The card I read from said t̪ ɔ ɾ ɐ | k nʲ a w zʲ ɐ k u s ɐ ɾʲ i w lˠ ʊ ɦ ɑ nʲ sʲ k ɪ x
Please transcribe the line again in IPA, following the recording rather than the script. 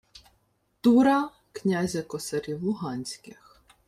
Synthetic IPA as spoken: t̪ u ɾ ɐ | k nʲ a zʲ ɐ k ɔ s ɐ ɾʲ i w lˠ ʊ ɦ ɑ nʲ sʲ k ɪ x